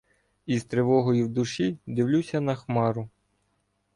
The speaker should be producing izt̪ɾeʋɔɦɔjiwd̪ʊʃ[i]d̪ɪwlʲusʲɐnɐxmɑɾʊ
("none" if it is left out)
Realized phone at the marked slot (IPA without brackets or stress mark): i